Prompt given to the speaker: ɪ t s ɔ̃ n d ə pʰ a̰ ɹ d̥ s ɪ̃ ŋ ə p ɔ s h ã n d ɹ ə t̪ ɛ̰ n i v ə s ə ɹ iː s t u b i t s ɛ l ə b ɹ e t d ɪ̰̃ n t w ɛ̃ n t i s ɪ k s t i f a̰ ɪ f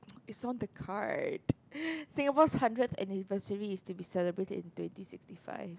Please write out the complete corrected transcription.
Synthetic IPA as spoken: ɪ t s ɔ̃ n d ə kʰ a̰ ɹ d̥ s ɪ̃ ŋ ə p ɔ s h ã n d ɹ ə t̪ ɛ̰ n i v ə s ə ɹ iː s t u b i s ɛ l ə b ɹ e t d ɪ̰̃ n t w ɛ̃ n t i s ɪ k s t i f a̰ ɪ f